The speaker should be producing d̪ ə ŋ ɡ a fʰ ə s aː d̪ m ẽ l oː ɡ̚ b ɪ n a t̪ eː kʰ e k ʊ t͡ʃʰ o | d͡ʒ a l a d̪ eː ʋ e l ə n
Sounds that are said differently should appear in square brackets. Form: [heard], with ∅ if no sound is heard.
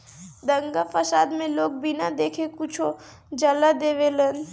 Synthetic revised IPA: d̪ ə ŋ ɡ a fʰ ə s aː d̪ m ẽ l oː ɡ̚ b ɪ n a [d̪] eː kʰ e k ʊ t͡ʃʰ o | d͡ʒ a l a d̪ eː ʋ e l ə n